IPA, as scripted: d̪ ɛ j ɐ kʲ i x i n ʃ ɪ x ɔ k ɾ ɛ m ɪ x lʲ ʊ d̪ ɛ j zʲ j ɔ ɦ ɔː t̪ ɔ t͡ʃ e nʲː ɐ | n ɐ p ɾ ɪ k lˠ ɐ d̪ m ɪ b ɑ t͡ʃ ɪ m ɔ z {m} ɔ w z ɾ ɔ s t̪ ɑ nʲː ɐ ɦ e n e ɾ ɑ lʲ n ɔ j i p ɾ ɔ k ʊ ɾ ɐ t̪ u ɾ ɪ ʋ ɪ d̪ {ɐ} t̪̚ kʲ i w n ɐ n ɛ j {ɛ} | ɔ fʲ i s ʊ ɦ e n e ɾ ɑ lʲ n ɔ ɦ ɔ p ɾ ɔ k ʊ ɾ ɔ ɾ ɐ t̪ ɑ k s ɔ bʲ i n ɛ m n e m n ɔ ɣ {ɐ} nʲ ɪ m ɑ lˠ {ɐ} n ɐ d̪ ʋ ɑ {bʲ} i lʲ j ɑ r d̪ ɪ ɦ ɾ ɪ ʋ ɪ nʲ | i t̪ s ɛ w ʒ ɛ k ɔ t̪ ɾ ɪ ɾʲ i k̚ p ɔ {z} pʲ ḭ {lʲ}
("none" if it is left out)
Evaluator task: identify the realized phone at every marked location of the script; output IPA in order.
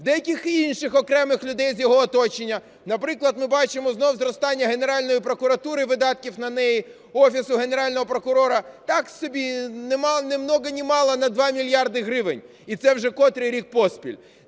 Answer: n, ɑ, i, ɐ, ɐ, mʲ, s, lʲ

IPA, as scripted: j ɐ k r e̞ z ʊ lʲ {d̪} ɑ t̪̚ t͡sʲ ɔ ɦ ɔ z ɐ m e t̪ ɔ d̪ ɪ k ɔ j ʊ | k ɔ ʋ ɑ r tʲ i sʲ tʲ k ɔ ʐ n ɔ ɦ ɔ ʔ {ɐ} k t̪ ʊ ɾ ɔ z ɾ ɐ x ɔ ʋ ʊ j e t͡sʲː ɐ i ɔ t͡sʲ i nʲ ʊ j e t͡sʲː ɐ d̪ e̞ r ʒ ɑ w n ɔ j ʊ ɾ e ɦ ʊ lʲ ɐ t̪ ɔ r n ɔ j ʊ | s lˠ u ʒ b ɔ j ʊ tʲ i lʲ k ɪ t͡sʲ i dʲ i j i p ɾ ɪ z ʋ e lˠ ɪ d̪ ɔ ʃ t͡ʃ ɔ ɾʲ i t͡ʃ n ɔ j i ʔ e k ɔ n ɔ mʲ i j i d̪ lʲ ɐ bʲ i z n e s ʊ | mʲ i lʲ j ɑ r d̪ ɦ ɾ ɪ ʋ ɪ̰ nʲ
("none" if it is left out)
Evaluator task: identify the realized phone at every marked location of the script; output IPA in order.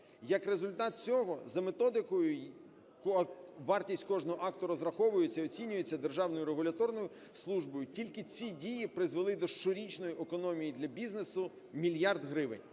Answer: t̪, ɑ

